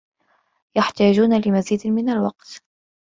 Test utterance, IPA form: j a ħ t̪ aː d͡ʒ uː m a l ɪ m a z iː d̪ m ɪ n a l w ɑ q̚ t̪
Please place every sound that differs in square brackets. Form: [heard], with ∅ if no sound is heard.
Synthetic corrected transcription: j a ħ t̪ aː d͡ʒ uː [n] a l ɪ m a z iː d̪ m ɪ n a l w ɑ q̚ t̪